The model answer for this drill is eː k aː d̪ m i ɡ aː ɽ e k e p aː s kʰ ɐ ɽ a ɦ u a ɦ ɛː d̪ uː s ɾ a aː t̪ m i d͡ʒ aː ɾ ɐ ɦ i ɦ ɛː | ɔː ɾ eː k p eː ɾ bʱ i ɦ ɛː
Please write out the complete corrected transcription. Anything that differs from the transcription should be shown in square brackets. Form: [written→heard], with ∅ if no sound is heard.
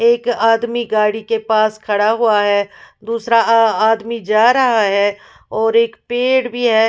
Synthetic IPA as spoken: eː k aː d̪ m i ɡ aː ɽ [e→i] k e p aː s kʰ ɐ ɽ a ɦ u a ɦ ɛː d̪ uː s ɾ a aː [t̪→d̪] m i d͡ʒ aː ɾ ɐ ɦ [i→a] ɦ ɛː | ɔː ɾ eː k p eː [ɾ→ɽ] bʱ i ɦ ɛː